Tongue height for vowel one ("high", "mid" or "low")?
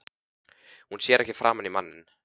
high